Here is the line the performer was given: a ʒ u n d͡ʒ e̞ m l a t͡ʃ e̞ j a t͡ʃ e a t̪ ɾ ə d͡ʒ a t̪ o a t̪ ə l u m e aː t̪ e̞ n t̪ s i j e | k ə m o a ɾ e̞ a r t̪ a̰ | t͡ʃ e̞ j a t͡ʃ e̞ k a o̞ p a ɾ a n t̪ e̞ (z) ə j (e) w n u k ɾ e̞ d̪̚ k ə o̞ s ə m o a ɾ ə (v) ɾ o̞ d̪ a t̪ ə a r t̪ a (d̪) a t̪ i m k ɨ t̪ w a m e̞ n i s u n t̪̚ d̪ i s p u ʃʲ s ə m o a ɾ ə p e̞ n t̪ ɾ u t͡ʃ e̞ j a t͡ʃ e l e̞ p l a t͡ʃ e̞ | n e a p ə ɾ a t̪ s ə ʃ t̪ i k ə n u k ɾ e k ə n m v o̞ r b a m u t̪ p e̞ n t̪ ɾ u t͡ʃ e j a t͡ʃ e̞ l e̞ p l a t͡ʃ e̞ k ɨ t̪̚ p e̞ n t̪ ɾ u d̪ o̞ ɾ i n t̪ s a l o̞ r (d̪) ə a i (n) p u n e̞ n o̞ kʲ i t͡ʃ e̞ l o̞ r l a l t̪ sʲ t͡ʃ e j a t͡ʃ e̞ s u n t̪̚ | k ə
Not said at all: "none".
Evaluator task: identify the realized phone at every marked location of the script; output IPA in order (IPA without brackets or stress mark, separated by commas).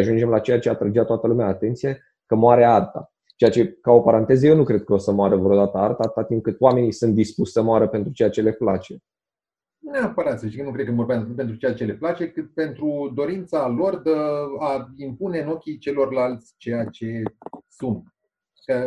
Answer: z, e, v, t̪, d̪, m